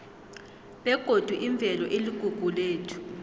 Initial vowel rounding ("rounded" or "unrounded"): unrounded